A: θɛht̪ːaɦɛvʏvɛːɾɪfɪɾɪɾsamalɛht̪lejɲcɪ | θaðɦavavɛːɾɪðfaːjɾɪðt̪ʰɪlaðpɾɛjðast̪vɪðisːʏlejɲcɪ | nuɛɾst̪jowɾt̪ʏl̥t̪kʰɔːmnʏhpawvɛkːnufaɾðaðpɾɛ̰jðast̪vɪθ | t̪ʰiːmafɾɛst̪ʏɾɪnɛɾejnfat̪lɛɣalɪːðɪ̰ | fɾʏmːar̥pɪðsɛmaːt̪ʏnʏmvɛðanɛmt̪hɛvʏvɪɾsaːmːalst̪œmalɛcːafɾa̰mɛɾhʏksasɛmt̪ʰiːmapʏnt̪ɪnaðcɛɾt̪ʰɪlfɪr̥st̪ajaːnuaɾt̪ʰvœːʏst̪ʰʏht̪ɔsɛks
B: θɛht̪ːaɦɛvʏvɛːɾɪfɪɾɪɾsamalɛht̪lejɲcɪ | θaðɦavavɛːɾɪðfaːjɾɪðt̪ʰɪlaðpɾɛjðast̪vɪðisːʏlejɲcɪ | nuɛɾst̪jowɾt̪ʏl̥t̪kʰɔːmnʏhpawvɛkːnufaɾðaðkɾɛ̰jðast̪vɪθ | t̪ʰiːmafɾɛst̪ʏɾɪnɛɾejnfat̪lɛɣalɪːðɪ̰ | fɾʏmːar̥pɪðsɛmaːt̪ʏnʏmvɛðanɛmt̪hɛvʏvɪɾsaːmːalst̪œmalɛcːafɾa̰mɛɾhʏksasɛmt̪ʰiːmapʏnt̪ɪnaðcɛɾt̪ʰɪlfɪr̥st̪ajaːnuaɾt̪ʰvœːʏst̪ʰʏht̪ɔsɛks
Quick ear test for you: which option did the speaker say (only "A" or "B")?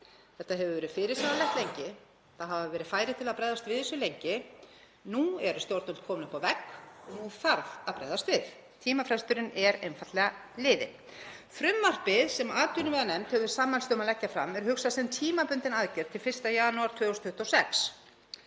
A